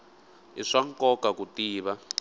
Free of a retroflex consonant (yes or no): no